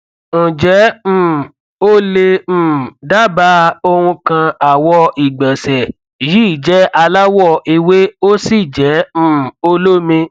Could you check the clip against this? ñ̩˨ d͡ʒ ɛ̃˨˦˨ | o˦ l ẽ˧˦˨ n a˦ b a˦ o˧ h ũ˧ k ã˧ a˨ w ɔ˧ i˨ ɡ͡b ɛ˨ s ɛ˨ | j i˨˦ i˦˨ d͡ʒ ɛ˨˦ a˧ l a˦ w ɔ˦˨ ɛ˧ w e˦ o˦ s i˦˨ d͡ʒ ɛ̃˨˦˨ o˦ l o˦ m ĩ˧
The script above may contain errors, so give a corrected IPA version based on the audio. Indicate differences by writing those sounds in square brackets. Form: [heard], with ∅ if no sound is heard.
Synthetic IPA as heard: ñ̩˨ d͡ʒ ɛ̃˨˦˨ | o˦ l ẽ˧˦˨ [d] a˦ b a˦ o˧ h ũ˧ k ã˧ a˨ w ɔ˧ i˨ ɡ͡b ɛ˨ s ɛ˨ | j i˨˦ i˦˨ d͡ʒ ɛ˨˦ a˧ l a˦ w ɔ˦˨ [i˧] w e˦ o˦ s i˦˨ d͡ʒ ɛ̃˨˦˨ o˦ l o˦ m ĩ˧